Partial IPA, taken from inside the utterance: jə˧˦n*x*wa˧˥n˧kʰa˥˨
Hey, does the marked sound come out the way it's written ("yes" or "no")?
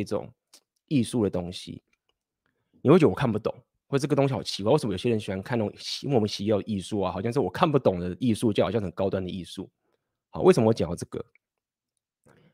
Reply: no